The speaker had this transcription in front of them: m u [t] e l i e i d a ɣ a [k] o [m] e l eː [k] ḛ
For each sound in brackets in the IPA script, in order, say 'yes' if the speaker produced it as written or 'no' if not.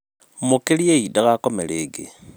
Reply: no, yes, yes, no

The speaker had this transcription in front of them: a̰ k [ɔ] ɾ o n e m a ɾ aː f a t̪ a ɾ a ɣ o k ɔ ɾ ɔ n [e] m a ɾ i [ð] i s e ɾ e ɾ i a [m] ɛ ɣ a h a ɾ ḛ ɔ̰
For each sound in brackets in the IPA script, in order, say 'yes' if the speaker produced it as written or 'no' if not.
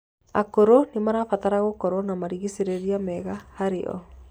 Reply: no, no, no, yes

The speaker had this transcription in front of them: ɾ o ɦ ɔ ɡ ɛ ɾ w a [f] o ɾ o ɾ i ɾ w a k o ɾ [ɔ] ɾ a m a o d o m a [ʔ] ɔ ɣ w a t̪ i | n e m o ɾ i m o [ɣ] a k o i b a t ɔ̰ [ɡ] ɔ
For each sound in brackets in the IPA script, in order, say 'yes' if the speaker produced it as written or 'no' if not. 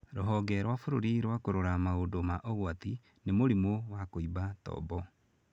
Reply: yes, no, yes, no, no

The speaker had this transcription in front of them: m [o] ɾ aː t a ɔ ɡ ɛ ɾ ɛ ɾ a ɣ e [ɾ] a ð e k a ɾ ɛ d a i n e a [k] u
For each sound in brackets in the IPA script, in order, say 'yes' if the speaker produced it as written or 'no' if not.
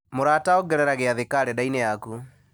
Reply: yes, no, yes

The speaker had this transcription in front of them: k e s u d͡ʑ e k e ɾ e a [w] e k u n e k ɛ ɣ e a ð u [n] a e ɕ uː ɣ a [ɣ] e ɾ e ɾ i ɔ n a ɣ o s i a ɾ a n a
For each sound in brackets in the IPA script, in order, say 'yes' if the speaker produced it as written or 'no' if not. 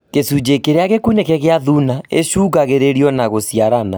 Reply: no, yes, yes

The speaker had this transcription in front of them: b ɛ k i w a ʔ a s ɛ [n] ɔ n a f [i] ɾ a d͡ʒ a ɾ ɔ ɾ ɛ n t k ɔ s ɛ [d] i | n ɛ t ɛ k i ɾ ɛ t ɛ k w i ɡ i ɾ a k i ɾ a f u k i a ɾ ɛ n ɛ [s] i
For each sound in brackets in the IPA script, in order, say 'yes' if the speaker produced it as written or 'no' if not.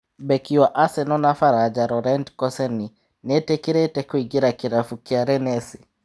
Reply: yes, no, no, yes

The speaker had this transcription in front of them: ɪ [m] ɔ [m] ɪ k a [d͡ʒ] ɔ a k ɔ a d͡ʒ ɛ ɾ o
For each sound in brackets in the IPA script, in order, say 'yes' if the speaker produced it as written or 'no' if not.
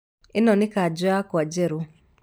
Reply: no, no, yes

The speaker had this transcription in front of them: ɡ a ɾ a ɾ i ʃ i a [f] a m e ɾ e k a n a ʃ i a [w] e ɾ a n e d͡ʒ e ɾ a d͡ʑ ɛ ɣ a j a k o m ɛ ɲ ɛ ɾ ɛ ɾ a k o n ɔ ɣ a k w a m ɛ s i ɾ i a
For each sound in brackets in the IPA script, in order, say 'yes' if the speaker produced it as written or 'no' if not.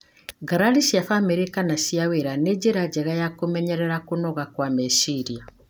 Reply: yes, yes

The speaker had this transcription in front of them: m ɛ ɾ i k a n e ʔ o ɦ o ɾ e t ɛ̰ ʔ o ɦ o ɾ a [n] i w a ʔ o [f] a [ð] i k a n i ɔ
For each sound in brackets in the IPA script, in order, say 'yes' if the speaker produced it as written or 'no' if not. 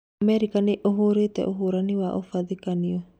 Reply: yes, yes, yes

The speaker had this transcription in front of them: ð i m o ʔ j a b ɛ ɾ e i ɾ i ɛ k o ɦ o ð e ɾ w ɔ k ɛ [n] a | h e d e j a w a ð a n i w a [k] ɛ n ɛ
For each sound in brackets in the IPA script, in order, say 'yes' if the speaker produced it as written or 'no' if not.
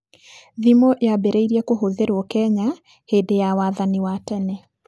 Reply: no, no

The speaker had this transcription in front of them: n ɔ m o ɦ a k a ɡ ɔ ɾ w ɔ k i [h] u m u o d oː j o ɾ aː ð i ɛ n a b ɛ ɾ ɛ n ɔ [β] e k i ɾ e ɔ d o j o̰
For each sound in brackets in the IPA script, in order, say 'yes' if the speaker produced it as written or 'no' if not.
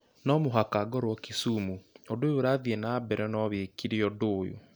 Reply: no, yes

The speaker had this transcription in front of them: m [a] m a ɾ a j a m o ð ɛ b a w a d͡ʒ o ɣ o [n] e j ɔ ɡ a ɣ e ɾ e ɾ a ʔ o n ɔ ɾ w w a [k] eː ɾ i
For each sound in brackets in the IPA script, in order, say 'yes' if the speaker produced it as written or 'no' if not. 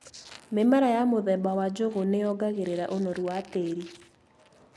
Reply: no, yes, no

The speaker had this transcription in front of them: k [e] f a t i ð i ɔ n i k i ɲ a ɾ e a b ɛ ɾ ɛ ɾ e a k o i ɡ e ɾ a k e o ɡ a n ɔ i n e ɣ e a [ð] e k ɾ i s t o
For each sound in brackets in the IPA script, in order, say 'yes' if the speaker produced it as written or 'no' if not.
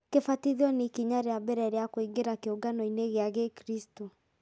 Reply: yes, no

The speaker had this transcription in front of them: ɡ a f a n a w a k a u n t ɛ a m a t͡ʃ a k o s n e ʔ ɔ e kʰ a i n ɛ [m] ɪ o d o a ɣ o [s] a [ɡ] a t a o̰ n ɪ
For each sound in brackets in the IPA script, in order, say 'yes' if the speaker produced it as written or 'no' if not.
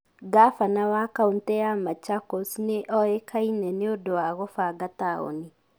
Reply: no, no, yes

